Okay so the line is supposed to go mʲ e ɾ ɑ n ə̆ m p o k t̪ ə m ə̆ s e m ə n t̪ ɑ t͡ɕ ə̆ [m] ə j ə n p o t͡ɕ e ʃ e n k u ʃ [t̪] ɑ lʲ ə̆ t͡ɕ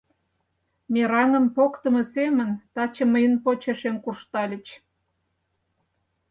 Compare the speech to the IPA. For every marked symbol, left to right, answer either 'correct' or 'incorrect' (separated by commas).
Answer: correct, correct